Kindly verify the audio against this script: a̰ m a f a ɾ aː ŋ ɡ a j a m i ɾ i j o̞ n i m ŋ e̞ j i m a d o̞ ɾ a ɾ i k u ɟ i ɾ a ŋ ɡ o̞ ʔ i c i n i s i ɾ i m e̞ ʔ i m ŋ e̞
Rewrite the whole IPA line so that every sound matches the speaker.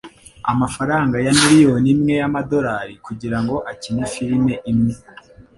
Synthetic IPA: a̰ m a f a ɾ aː ŋ ɡ a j a m i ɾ i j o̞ n i m ŋ e̞ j a m a d o̞ ɾ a ɾ i k u ɟ i ɾ a ŋ ɡ o̞ ʔ a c i n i f i ɾ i m e̞ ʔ i m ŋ e̞